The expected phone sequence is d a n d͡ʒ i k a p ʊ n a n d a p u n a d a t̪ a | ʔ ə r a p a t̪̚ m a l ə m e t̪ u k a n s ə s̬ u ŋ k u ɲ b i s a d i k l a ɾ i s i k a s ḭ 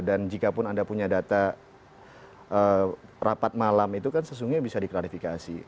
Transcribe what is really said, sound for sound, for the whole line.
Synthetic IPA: d a n d͡ʒ i k a p ʊ n a n d a p u ɲ a d a t̪ a | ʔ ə r a p a t̪̚ m a l a m i t̪ u k a n s ə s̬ u ŋ ɡ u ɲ b i s a d i k l a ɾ i f i k a s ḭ